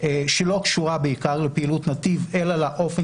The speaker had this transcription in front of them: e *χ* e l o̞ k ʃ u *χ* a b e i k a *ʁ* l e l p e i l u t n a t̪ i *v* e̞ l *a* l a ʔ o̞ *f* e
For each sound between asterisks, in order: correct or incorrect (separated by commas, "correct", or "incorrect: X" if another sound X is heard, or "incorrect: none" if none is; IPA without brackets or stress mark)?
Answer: incorrect: ʃ, incorrect: ʁ, correct, correct, correct, correct